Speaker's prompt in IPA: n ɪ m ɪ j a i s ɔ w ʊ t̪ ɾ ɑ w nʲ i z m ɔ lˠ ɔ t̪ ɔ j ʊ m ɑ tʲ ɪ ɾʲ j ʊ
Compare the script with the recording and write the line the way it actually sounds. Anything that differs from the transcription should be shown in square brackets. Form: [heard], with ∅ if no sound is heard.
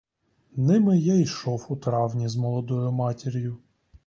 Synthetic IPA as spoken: n ɪ m ɪ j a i [ʃ] ɔ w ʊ t̪ ɾ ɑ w nʲ i z m ɔ lˠ ɔ [d̪] ɔ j ʊ m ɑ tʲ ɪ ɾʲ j ʊ